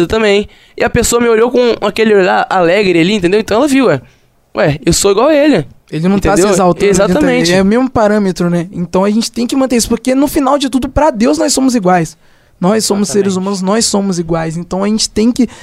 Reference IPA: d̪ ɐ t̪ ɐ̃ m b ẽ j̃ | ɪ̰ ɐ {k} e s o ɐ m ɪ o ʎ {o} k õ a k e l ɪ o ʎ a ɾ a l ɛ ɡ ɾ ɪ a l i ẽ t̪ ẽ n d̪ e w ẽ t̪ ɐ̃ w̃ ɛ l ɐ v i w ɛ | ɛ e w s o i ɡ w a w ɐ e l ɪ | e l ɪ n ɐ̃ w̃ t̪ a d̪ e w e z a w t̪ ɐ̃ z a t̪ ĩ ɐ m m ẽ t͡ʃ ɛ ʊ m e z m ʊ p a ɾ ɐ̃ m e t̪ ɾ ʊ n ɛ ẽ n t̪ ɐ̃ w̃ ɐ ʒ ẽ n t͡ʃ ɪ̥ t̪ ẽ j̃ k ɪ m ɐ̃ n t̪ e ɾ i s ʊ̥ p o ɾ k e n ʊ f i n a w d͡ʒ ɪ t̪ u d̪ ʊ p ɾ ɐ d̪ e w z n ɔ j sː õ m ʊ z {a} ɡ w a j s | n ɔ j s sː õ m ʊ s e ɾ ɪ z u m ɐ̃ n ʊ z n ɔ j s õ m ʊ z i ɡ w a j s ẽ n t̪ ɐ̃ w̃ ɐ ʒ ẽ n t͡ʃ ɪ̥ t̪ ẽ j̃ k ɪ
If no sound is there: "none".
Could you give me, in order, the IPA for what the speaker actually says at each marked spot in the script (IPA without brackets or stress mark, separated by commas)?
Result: p, o, i